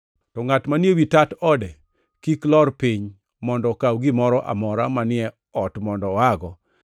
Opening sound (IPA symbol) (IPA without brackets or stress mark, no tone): t